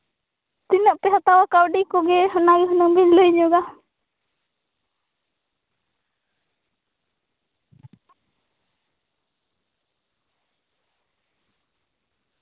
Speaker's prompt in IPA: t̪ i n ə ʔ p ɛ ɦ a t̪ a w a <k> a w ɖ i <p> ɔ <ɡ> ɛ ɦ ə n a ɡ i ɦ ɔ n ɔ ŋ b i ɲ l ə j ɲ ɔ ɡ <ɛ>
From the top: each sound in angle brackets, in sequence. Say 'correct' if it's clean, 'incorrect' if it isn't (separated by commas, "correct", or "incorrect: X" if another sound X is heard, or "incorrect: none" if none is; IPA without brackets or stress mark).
correct, incorrect: k, correct, incorrect: a